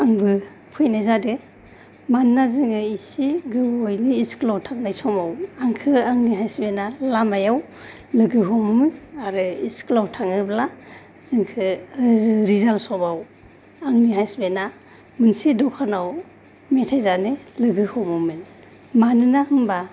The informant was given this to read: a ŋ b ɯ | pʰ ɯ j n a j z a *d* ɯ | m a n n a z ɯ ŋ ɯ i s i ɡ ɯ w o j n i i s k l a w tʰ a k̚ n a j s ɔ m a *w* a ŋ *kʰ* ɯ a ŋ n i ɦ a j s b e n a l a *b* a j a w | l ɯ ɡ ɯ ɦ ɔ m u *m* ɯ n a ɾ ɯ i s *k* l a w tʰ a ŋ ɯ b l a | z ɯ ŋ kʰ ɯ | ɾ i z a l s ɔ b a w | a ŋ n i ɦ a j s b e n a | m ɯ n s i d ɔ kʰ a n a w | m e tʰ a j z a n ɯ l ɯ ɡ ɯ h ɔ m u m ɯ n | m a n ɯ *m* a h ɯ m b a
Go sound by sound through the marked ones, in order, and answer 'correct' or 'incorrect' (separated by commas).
correct, correct, correct, incorrect, correct, correct, incorrect